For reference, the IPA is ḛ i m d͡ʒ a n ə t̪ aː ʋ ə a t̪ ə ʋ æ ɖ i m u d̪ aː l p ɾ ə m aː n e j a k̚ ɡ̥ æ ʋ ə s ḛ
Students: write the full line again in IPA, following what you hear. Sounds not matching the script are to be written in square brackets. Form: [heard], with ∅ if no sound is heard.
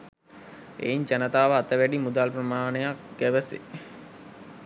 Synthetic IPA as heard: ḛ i [ɲ] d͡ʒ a n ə t̪ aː ʋ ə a t̪ ə ʋ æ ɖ i m u d̪ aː l p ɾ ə m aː n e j a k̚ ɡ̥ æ ʋ ə s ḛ